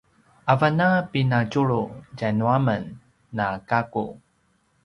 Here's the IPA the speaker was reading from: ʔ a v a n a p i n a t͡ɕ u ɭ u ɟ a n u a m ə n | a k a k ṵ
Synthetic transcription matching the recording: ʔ a v a n a p i n a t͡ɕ u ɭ u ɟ a n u a m ə nː | a k a k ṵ